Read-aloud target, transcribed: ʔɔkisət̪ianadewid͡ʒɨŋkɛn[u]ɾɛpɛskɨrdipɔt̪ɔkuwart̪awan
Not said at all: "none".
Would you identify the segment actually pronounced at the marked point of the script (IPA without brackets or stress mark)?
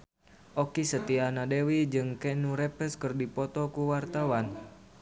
u